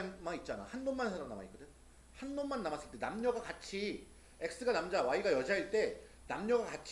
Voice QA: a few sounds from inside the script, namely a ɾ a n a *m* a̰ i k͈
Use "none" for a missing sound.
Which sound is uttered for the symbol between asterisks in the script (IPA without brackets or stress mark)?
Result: m